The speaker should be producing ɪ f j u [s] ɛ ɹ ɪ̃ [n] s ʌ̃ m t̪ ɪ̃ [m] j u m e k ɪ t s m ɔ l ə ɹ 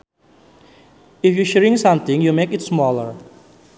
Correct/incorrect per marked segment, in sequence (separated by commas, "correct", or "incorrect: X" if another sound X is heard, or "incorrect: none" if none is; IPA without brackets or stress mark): incorrect: ʃ, incorrect: ŋ, incorrect: ŋ